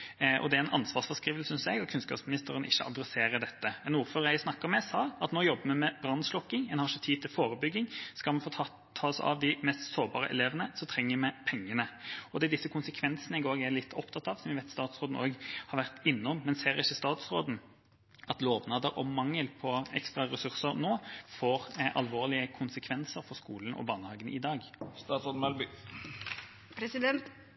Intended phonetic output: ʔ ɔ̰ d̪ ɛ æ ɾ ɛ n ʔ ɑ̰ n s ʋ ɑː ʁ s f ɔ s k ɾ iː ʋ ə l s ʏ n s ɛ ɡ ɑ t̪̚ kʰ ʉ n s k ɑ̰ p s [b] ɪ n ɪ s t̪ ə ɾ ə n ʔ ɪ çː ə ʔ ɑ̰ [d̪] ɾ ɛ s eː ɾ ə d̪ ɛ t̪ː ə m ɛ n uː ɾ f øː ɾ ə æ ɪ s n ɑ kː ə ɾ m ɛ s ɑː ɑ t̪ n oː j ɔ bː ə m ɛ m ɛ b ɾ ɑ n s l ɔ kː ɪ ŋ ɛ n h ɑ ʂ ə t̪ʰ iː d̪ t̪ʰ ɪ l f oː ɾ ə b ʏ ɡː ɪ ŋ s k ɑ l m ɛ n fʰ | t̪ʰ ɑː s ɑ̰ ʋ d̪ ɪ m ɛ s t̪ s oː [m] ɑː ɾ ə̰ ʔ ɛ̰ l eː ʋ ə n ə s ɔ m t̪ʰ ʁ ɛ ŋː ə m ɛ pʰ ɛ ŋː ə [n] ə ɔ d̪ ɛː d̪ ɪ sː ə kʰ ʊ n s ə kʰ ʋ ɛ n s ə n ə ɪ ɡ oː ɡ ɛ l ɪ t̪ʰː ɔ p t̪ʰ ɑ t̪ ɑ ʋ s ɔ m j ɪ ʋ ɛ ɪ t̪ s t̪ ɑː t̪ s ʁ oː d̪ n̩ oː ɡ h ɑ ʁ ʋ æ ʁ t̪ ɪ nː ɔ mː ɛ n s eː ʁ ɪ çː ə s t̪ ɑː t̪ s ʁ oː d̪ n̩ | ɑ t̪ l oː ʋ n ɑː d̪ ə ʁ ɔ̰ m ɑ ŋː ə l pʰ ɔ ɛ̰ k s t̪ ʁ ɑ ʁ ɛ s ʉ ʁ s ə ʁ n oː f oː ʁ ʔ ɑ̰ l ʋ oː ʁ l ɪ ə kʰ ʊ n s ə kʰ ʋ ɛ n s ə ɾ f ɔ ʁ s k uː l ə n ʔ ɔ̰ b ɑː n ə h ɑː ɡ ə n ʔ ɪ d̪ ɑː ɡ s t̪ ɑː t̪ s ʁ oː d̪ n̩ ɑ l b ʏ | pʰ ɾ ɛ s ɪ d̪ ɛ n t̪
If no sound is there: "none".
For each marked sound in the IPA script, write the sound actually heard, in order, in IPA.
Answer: m, d̪, b, n

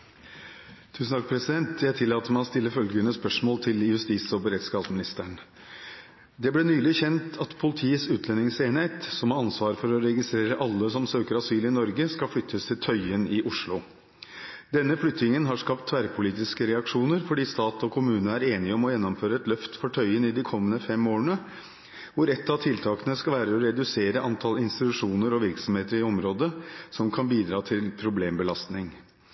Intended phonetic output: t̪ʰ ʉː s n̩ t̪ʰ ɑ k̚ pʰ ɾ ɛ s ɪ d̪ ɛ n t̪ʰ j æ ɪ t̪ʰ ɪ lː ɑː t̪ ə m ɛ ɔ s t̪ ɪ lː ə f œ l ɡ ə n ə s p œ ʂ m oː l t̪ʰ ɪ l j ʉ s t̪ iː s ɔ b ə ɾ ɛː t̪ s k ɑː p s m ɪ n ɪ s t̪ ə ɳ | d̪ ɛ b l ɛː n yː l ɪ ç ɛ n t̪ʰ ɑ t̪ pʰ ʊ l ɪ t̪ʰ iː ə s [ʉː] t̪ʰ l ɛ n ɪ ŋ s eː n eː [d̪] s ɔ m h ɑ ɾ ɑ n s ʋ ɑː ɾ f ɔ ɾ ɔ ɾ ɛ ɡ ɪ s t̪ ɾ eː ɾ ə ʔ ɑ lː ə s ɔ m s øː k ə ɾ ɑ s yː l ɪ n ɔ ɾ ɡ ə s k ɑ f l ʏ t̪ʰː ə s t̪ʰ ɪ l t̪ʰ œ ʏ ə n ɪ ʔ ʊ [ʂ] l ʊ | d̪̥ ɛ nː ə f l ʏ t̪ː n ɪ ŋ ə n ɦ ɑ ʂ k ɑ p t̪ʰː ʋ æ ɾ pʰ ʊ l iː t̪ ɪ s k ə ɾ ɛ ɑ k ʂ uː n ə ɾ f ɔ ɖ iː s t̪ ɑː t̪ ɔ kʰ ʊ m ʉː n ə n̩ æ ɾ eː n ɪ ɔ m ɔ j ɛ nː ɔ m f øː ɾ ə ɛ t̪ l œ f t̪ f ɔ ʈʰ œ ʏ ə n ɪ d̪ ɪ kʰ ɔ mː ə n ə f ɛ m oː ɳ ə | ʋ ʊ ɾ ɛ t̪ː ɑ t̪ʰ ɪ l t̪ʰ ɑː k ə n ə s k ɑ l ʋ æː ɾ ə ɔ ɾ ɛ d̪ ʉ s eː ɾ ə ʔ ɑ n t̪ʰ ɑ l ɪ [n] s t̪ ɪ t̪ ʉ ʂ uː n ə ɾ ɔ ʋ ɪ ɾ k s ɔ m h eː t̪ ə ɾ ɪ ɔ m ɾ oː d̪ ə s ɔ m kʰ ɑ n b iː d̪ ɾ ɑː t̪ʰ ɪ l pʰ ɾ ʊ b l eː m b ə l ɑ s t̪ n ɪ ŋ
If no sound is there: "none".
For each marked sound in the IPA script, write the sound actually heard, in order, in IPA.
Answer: ʉː, t̪, ʂ, n

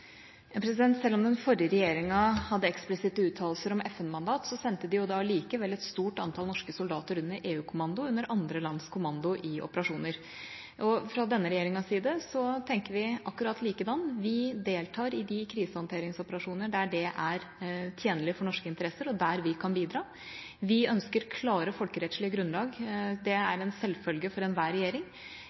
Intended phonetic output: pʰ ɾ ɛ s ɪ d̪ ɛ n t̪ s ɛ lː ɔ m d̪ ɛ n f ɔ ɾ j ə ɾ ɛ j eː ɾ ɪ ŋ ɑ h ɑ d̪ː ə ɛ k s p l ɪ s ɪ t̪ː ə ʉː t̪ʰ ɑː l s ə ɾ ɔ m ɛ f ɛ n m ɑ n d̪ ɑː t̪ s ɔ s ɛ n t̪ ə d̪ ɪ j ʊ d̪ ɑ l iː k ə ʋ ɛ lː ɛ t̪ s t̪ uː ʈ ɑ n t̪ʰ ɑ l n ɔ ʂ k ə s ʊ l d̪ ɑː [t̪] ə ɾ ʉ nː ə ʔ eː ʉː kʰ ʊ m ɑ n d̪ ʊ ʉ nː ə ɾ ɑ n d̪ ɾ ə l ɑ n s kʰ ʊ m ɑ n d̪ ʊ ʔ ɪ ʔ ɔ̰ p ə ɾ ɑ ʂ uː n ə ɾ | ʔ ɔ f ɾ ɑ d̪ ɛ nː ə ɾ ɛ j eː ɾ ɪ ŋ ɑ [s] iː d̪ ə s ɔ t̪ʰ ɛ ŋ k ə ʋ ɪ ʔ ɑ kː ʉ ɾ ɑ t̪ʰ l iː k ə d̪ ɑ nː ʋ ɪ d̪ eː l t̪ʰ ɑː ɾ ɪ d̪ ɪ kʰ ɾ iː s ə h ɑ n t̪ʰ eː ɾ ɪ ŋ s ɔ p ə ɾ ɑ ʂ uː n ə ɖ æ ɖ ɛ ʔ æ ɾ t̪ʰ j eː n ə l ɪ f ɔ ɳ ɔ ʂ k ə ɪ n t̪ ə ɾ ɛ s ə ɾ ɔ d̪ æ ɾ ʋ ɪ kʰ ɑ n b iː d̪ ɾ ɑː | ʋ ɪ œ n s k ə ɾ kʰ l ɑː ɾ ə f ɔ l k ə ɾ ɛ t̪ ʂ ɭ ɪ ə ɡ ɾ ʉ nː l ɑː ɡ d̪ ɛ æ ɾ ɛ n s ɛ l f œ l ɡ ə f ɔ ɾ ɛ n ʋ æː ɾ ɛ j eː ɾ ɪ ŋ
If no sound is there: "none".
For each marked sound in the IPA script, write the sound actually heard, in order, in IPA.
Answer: t̪, s

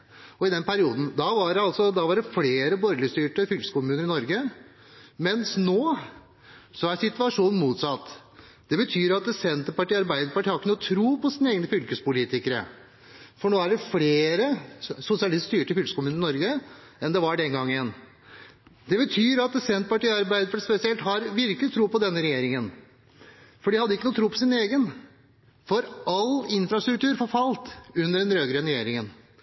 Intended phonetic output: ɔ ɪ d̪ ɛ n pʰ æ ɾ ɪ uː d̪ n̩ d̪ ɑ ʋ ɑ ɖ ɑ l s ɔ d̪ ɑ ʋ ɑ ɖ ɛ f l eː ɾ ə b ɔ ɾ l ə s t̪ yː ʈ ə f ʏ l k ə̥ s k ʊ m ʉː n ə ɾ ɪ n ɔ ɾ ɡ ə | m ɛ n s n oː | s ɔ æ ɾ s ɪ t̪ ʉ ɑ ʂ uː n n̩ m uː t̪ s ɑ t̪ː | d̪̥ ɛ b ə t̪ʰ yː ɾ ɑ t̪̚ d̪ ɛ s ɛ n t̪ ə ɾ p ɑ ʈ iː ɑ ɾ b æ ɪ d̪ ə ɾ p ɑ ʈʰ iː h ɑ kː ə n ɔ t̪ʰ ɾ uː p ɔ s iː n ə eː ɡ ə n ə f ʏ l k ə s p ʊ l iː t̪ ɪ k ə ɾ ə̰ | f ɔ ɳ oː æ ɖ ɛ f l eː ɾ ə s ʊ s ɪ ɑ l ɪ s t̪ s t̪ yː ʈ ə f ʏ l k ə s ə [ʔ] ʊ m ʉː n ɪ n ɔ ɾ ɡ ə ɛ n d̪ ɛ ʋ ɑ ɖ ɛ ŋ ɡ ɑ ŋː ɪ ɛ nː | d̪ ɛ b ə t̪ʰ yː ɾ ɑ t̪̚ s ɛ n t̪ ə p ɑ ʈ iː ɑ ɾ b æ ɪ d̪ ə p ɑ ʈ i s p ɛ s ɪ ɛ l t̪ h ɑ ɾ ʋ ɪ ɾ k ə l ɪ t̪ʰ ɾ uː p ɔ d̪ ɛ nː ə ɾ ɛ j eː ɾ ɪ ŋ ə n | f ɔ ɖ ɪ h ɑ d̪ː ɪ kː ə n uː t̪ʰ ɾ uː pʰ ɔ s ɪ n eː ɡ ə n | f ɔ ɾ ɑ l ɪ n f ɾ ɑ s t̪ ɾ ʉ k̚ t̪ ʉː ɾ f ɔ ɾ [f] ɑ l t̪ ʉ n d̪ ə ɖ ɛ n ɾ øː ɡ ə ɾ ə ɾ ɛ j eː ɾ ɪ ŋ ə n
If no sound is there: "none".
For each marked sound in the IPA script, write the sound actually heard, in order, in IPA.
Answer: k, f

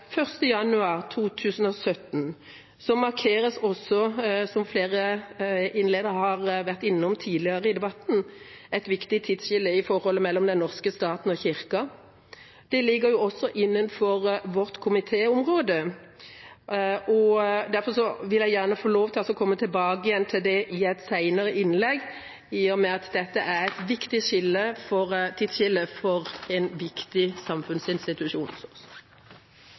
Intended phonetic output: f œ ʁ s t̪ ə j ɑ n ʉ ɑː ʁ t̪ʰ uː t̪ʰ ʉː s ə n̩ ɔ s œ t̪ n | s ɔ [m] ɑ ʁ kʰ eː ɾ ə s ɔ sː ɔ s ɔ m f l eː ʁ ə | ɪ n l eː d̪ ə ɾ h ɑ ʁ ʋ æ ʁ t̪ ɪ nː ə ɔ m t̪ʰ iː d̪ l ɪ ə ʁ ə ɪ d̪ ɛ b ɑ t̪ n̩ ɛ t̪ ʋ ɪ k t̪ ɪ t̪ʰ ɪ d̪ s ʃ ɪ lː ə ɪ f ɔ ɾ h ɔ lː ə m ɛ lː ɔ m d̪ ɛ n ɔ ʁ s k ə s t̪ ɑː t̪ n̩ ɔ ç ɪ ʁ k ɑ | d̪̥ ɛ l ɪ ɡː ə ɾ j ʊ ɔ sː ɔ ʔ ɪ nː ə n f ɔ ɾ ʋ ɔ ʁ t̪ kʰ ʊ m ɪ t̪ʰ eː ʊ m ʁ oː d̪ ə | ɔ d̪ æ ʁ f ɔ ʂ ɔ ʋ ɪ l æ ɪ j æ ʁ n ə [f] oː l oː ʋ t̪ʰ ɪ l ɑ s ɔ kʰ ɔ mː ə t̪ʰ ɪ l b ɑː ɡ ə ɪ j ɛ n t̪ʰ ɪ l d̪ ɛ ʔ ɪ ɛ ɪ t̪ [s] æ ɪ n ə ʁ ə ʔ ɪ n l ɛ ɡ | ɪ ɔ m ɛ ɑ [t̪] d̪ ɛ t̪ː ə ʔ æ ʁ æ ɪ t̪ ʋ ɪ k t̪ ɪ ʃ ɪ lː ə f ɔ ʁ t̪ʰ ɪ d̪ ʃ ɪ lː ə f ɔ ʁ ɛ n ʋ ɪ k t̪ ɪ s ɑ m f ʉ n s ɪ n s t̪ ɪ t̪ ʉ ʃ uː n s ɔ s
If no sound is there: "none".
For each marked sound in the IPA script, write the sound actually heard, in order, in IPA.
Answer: m, f, s, t̪

